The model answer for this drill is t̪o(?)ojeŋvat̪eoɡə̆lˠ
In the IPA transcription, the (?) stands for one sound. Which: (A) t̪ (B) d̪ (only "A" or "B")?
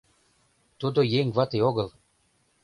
B